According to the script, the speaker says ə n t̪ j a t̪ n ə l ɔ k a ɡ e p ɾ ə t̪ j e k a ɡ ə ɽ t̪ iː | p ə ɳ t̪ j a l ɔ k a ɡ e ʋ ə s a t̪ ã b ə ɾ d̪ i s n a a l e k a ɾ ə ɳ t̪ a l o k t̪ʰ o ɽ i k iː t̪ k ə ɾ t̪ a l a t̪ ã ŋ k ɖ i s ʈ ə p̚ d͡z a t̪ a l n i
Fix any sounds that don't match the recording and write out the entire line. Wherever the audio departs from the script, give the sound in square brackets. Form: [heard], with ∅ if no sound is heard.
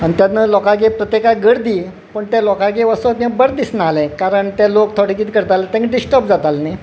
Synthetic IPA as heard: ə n t̪ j a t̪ n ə l ɔ k a ɡ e p ɾ ə t̪ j e k a ɡ ə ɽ [d̪] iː | p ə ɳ t̪ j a l ɔ k a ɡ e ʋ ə s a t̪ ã b ə ɾ d̪ i s n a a l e k a ɾ ə ɳ t̪ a l o k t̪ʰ o ɽ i k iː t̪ k ə ɾ t̪ a l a t̪ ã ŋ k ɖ i s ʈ ə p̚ d͡z a t̪ a l n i